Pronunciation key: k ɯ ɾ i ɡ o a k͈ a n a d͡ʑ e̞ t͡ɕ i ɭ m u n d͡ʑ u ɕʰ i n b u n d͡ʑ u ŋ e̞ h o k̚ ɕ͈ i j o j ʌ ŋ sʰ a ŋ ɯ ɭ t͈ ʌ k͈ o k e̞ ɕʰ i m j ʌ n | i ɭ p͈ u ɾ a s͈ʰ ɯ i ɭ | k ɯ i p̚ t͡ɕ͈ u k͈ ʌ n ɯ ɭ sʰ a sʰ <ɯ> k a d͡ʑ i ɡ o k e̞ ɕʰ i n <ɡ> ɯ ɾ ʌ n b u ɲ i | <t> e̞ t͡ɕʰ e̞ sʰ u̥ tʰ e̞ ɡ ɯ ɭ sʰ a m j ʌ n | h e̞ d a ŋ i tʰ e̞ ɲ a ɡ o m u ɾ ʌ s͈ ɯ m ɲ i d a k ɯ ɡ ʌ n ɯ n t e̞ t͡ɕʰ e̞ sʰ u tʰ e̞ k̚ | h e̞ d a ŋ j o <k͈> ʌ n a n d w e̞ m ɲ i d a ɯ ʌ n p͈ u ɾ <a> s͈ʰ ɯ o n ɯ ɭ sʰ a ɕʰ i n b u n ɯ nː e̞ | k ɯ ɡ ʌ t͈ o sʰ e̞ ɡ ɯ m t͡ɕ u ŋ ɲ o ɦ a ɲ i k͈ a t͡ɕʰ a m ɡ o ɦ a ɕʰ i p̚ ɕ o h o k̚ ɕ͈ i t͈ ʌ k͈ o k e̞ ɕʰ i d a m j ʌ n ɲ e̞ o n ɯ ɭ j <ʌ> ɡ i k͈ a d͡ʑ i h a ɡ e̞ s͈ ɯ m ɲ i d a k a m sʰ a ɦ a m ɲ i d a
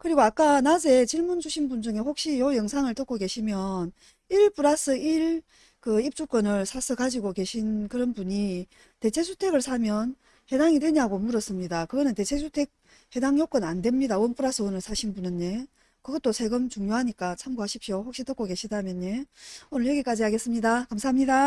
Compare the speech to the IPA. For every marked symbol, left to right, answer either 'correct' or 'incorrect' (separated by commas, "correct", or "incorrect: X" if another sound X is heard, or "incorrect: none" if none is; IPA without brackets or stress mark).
correct, incorrect: k, correct, correct, correct, correct